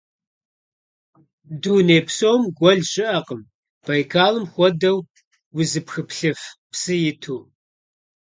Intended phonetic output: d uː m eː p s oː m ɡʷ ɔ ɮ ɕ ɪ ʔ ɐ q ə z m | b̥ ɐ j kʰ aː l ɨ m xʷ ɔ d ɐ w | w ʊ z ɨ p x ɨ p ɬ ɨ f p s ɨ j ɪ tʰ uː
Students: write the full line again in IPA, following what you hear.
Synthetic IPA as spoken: d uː n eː p s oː m ɡʷ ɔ ɮ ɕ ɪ ʔ ɐ q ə m | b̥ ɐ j kʰ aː l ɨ m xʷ ɔ d ɐ w | w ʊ z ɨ p x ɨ p ɬ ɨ f p s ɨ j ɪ tʰ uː